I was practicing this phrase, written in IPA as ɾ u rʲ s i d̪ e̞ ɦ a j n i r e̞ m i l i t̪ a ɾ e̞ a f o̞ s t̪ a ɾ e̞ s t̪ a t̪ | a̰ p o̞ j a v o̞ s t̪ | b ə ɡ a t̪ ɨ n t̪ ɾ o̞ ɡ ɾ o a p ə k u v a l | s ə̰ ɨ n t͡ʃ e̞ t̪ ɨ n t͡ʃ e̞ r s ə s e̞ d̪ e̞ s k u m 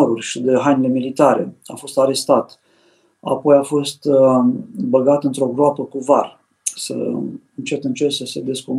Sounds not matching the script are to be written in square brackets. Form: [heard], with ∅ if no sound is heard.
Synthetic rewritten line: ɾ u rʲ [ʃ] i d̪ e̞ ɦ a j n i [l] e̞ m i l i t̪ a ɾ e̞ a f o̞ s t̪ a ɾ e̞ s t̪ a t̪ | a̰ p o̞ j a [f] o̞ s t̪ | b ə ɡ a t̪ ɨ n t̪ ɾ o̞ ɡ ɾ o a p ə k u v a [r] | s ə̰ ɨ n t͡ʃ e̞ t̪ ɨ n t͡ʃ e̞ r s ə s e̞ d̪ e̞ s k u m